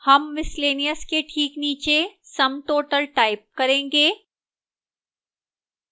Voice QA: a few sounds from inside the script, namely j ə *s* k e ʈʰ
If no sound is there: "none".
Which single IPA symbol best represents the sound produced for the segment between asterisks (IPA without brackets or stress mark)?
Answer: s